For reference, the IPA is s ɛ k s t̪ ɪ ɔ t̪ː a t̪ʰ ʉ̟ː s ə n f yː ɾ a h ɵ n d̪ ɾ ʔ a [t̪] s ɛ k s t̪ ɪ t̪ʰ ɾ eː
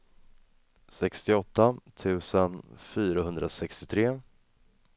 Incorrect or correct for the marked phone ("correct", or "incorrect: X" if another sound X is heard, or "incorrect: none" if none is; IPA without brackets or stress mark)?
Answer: incorrect: none